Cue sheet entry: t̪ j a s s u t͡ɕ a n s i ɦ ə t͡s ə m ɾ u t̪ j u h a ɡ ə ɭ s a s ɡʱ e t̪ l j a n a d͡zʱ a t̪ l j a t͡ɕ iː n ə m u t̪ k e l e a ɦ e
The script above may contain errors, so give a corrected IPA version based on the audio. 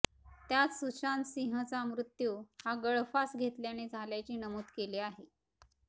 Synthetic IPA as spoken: t̪ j a t͡s s u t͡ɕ a n s i ɦ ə t͡s a m ɾ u t̪ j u h a ɡ ə ɭ f a s ɡʱ e t̪ l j a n e d͡zʱ a l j a t͡ɕ iː n ə m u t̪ k e l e a ɦ e